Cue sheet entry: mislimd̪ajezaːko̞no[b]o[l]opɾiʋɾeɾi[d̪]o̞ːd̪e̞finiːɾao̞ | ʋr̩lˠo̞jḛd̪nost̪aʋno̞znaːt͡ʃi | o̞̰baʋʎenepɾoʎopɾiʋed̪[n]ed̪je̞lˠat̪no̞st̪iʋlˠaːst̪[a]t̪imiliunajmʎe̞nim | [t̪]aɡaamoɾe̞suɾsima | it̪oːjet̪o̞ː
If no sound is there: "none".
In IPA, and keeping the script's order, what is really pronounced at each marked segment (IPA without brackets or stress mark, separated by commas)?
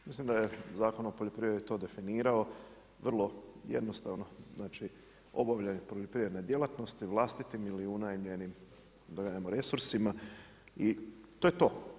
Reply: p, ʎ, t̪, n, i, d̪